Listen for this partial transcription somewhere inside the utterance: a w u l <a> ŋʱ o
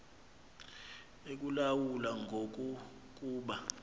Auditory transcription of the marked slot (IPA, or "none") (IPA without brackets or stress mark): a